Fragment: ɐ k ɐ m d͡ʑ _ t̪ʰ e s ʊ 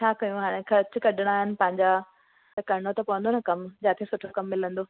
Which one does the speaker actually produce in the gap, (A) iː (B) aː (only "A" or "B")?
B